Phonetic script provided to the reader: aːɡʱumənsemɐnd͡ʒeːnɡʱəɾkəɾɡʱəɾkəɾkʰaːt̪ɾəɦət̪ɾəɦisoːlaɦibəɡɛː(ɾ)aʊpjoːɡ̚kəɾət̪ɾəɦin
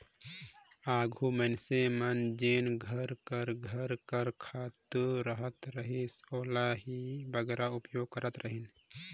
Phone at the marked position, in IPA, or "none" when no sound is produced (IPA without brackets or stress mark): ɾ